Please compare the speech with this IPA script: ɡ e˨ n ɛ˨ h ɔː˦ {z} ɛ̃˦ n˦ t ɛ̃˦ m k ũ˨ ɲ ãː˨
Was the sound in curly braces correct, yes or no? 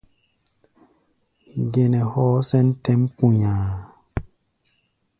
no